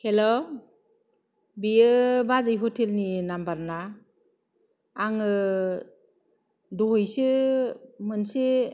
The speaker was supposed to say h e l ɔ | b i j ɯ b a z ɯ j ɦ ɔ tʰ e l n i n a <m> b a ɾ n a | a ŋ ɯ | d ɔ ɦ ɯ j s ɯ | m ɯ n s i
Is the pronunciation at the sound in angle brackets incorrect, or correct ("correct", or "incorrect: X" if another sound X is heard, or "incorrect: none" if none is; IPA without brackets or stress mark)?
correct